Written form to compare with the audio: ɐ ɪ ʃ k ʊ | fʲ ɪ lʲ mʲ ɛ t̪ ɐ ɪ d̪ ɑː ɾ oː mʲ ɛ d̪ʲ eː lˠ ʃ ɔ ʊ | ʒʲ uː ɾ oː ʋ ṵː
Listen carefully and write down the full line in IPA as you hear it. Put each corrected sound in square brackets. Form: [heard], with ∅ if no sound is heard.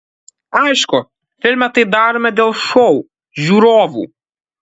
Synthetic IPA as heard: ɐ ɪ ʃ k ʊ | fʲ ɪ lʲ mʲ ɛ t̪ ɐ ɪ d̪ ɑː ɾ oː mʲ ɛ d̪ʲ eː lˠ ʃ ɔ ʊ | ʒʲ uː ɾ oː ʋ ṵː

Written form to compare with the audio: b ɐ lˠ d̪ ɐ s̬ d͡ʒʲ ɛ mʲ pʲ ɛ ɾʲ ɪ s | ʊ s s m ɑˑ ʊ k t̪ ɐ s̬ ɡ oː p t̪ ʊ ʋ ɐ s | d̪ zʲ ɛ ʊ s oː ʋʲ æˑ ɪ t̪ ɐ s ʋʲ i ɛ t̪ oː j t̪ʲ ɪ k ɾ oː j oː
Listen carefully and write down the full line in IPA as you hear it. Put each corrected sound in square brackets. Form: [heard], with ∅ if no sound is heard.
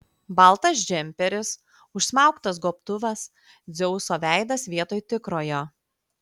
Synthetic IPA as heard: b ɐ lˠ [t̪] ɐ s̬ d͡ʒʲ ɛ mʲ pʲ ɛ ɾʲ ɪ s | ʊ [ʃ] s m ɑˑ ʊ k t̪ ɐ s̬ ɡ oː p t̪ ʊ ʋ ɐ s | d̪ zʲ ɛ ʊ s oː ʋʲ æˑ ɪ [d̪] ɐ s ʋʲ i ɛ t̪ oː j t̪ʲ ɪ k ɾ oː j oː

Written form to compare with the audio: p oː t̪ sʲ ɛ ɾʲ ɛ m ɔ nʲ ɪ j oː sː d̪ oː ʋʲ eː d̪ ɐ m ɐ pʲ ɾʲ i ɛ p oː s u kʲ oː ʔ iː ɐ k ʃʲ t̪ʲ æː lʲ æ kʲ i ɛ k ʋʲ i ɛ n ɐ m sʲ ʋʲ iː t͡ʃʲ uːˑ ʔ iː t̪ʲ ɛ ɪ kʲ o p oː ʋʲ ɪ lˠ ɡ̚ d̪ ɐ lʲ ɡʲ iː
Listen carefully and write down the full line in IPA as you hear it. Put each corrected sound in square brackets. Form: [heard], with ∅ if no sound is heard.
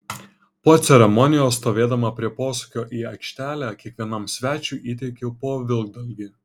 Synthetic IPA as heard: p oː t̪ sʲ ɛ ɾʲ ɛ m ɔ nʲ ɪ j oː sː [t̪] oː ʋʲ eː d̪ ɐ m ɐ pʲ ɾʲ i ɛ p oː s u kʲ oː ʔ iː ɐ k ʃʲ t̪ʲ æː lʲ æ kʲ i ɛ k ʋʲ i ɛ n ɐ m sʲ ʋʲ [æː] t͡ʃʲ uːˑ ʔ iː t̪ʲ ɛ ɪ kʲ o p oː ʋʲ ɪ lˠ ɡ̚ d̪ ɐ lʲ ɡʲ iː

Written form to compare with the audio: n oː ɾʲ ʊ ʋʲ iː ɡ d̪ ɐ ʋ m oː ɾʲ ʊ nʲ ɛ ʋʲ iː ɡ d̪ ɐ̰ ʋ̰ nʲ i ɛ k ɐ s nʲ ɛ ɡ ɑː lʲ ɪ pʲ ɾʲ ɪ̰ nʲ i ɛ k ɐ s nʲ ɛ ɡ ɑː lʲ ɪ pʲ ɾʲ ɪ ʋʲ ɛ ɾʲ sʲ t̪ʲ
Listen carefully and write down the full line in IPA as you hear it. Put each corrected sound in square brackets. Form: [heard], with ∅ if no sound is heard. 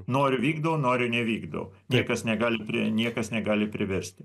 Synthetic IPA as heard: n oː ɾʲ ʊ ʋʲ iː ɡ d̪ ɐ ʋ [n] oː ɾʲ ʊ nʲ ɛ ʋʲ iː ɡ d̪ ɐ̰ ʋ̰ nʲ i ɛ k ɐ s nʲ ɛ ɡ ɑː lʲ ɪ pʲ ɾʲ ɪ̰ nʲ i ɛ k ɐ s nʲ ɛ ɡ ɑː lʲ ɪ pʲ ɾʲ ɪ ʋʲ ɛ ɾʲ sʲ t̪ʲ

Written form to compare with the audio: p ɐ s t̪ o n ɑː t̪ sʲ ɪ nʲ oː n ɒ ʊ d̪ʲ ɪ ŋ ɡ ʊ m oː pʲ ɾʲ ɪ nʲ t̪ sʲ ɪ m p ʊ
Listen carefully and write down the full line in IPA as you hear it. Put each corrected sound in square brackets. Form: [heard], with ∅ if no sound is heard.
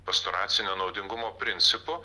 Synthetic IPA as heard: p ɐ s t̪ o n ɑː t̪ sʲ ɪ nʲ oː n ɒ ʊ d̪ʲ ɪ ŋ ɡ ʊ m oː pʲ ɾʲ ɪ nʲ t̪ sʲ ɪ [∅] p ʊ

